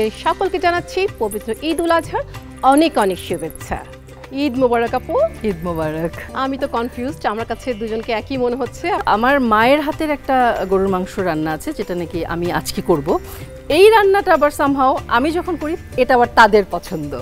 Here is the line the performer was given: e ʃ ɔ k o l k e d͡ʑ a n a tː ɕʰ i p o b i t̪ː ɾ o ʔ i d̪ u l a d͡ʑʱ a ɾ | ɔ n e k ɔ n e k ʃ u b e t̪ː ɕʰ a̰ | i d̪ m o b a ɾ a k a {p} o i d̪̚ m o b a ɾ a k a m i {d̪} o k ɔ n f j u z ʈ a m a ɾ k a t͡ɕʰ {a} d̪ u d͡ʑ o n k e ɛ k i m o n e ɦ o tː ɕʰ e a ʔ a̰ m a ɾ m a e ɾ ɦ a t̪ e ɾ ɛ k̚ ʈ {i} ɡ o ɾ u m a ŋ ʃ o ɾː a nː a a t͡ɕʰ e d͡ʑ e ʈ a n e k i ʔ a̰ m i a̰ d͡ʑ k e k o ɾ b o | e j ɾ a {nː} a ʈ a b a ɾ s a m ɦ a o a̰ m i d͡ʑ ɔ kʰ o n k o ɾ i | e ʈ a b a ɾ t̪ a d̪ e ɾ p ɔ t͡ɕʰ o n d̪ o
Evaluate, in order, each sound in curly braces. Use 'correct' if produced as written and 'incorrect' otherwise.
correct, incorrect, incorrect, incorrect, correct

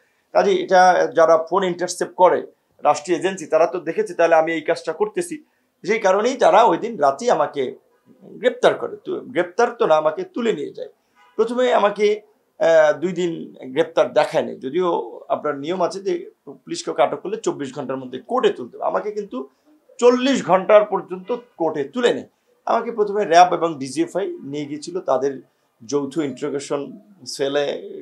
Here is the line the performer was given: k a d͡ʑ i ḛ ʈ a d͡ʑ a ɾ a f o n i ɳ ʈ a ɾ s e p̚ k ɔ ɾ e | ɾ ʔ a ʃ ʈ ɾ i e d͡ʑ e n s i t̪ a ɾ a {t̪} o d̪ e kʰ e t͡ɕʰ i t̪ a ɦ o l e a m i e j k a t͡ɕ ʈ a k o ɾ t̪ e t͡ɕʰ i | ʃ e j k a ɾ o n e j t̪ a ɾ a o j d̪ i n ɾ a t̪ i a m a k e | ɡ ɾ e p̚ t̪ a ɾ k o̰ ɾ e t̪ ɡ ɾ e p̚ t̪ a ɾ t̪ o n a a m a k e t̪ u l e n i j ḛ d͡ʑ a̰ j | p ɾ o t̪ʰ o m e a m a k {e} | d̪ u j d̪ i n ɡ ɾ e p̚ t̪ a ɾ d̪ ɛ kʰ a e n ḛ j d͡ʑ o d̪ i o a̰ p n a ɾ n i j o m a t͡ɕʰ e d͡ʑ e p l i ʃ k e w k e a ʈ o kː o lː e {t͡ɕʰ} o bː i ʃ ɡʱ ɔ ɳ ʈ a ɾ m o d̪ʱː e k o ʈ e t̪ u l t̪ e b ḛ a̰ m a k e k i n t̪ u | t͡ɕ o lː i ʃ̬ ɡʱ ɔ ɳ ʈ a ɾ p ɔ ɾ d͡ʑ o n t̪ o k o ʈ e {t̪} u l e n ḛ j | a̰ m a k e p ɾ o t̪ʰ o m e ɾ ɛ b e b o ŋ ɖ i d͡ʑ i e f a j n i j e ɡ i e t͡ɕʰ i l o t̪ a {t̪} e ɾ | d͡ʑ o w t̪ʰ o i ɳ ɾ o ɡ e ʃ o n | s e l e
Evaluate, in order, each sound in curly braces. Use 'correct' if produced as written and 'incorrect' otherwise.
correct, correct, incorrect, correct, incorrect

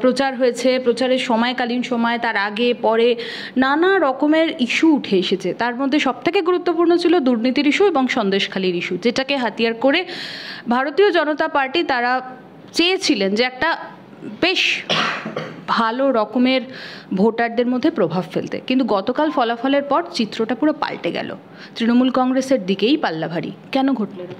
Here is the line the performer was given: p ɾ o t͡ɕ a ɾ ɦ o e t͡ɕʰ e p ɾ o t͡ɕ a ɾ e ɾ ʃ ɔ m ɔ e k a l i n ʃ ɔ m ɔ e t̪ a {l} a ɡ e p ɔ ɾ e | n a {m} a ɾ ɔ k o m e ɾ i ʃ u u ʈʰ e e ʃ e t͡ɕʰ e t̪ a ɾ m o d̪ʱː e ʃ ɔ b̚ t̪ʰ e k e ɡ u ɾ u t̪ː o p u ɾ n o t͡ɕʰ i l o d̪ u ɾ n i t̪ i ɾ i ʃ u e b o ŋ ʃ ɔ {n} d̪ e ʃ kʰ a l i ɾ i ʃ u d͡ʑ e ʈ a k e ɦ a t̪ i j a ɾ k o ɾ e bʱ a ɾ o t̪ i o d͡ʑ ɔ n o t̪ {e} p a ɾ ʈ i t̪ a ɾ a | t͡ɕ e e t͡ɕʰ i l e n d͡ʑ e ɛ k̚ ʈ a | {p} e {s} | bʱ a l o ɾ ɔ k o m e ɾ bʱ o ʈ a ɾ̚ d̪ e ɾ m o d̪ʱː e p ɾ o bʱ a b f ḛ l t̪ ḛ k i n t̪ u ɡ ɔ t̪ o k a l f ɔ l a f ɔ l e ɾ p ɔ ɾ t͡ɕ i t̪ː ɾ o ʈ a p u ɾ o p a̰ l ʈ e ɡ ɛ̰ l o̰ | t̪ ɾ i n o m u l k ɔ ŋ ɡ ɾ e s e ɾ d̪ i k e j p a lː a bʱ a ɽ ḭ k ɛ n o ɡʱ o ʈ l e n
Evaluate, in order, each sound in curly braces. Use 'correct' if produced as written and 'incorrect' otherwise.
incorrect, incorrect, correct, incorrect, incorrect, incorrect

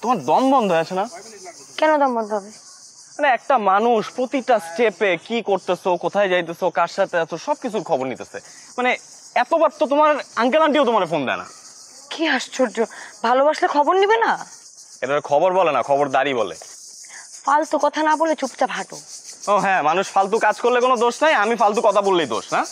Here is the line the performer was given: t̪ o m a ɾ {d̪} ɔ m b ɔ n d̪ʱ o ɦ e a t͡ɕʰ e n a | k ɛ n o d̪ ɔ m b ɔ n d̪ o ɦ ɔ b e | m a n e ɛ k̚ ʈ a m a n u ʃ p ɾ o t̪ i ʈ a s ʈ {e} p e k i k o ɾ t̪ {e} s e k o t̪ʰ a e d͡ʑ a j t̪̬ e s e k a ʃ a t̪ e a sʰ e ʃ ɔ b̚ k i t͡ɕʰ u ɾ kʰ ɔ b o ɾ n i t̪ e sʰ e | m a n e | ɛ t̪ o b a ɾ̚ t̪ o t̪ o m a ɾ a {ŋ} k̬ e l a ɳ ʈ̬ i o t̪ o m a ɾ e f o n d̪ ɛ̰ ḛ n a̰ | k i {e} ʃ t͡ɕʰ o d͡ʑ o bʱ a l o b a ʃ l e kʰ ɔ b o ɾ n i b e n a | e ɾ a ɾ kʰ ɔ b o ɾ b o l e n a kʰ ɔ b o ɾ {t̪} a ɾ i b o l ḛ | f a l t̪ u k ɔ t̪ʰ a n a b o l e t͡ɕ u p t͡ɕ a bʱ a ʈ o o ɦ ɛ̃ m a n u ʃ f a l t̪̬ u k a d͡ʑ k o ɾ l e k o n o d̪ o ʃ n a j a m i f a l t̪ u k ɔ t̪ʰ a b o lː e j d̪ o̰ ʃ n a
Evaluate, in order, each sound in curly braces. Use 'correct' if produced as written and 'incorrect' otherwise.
correct, correct, correct, correct, incorrect, incorrect

